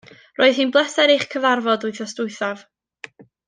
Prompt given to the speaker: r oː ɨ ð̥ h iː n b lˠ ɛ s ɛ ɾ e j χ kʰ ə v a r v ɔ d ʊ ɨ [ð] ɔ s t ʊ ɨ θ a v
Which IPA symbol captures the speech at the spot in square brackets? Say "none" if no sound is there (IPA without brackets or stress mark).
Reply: θ